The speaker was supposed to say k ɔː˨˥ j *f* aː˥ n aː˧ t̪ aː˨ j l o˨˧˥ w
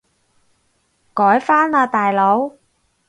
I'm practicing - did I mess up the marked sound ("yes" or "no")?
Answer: no